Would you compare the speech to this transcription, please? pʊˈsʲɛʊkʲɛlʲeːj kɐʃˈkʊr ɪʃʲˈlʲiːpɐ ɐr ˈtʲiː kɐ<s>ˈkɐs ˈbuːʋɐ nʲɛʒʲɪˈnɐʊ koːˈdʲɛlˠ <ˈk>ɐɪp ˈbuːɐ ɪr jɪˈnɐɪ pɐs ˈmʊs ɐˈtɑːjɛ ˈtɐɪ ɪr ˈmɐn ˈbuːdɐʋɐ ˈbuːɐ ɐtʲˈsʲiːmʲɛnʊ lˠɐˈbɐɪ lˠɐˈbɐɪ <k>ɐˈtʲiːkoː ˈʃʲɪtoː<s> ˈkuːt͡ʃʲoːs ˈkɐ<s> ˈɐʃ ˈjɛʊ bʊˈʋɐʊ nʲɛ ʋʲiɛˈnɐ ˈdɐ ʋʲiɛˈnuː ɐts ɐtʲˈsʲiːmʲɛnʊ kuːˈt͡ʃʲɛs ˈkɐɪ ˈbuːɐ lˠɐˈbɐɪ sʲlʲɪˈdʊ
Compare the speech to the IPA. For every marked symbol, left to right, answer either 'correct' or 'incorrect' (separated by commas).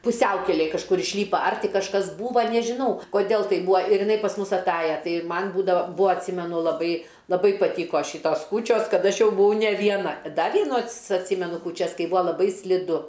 incorrect, incorrect, incorrect, correct, incorrect